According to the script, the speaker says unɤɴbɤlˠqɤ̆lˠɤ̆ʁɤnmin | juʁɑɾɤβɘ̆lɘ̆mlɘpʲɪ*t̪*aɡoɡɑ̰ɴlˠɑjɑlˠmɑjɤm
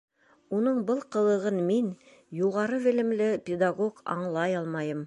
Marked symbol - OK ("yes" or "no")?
no